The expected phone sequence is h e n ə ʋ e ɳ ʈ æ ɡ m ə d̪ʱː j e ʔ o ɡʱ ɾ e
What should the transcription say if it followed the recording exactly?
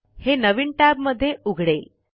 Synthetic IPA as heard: h e n ə ʋ i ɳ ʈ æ b m ə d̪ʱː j e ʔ u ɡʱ ɽ e